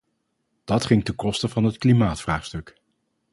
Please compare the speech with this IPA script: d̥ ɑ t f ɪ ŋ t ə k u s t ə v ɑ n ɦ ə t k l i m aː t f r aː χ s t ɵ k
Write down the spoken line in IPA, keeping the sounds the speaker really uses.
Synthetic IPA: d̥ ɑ t χ ɪ ŋ t ə k ɔ s t ə v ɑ n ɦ ə t k l i m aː t f r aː χ s t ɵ k